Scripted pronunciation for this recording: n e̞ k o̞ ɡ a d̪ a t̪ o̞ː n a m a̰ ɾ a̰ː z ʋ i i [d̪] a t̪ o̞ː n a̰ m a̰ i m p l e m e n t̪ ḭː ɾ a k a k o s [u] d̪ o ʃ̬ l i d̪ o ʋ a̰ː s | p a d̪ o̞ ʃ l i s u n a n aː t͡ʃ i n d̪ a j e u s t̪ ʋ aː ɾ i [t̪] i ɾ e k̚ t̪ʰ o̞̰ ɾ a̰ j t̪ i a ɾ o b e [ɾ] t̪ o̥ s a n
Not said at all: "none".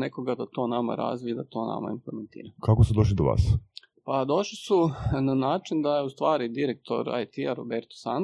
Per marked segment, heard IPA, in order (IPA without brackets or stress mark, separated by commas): d̪, u, d̪, ɾ